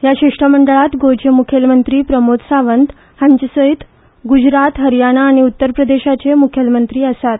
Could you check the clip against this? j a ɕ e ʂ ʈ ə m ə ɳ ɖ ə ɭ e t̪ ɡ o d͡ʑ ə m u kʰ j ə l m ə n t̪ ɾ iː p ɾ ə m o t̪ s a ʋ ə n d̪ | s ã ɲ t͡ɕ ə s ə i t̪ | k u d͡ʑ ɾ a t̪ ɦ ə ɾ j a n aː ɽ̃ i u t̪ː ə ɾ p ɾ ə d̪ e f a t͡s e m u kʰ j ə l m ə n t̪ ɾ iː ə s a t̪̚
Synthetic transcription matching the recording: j a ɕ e ʂ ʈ ə m ə ɳ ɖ ə ɭ a t̪ ɡ o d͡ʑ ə m u kʰ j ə l m ə n t̪ ɾ iː p ɾ ə m o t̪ s a ʋ ə n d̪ | h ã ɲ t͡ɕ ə s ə i t̪ | ɡ u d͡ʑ ɾ a t̪ ɦ ə ɾ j a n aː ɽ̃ i u t̪ː ə ɾ p ɾ ə d̪ e ɕ a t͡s e m u kʰ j ə l m ə n t̪ ɾ iː ə s a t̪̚